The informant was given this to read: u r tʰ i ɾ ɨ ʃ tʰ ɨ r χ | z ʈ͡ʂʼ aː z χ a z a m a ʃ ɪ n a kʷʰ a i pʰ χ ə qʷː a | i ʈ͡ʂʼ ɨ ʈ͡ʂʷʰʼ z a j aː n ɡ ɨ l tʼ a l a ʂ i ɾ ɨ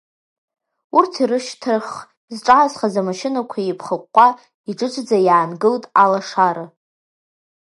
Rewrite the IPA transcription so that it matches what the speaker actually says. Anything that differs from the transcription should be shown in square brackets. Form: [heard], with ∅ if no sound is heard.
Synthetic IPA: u r tʰ i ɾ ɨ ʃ tʰ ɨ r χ | z ʈ͡ʂʼ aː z χ a z a m a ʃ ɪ n a kʷʰ a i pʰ χ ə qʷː a | i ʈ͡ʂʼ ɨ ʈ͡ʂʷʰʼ [d͡z] a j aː n ɡ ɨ l tʼ a l a ʂ [a] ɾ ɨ